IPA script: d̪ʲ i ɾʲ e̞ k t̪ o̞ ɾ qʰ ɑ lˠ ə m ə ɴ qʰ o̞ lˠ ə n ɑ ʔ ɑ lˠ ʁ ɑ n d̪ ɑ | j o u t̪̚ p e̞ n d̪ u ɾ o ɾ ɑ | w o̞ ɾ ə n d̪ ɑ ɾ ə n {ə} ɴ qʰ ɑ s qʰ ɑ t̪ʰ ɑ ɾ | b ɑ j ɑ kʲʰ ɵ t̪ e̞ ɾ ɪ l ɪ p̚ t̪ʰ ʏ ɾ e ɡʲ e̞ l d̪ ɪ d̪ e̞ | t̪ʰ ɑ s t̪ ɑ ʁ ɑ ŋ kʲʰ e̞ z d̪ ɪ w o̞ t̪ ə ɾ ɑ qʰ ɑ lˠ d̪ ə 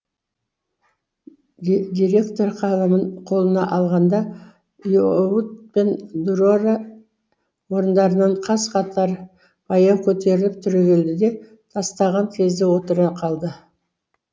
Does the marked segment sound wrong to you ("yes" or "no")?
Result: yes